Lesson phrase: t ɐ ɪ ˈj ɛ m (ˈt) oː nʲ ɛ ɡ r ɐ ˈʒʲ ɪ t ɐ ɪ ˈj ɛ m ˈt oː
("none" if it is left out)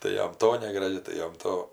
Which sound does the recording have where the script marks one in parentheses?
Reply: t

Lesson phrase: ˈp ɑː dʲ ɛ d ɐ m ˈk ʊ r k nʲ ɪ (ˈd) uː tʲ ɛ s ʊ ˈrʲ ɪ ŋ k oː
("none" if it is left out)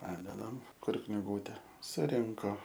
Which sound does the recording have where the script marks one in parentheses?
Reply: ɡ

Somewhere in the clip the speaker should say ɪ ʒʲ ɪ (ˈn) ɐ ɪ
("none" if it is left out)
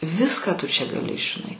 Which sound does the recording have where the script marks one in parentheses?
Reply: n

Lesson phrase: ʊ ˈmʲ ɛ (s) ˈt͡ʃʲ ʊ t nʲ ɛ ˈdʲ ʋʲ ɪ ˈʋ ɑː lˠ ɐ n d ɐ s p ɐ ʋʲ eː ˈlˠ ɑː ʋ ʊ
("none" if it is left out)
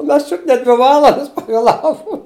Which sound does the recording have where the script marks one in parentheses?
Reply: s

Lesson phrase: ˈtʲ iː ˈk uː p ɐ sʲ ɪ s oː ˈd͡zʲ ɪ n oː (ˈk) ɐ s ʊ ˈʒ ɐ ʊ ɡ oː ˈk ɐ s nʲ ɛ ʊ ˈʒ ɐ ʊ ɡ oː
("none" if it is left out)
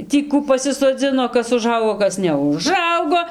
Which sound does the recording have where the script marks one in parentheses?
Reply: k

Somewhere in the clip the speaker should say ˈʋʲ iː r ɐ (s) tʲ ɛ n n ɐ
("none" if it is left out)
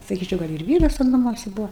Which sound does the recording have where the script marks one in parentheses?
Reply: s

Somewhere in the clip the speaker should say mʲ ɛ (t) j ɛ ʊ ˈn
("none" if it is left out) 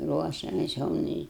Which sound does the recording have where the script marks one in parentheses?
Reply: s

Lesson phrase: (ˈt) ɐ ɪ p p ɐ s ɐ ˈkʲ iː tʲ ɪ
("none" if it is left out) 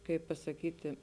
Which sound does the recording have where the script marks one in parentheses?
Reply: k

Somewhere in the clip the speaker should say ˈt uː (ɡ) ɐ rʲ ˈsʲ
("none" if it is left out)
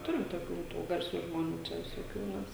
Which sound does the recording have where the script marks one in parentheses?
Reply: ɡ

